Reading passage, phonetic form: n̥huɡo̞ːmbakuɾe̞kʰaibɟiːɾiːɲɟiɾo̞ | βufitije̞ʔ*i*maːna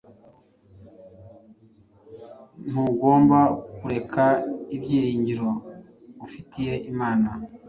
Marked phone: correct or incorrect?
correct